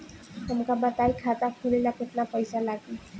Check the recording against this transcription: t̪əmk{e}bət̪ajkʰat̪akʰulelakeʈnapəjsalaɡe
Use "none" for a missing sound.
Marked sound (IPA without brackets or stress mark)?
a